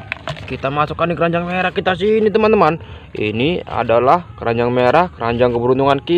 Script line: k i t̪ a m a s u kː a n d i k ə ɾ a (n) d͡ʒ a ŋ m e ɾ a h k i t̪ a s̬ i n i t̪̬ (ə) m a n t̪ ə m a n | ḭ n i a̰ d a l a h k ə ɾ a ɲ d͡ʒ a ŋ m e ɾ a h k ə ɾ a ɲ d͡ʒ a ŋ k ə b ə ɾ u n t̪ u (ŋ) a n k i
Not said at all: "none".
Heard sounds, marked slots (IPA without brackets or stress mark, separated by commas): ɲ, ə, ŋ